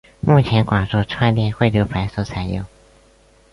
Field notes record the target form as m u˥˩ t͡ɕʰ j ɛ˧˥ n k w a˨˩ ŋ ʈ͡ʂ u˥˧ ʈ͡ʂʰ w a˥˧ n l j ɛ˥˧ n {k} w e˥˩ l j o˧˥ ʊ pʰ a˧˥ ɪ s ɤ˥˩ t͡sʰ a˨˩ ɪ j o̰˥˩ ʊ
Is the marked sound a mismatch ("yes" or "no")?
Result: yes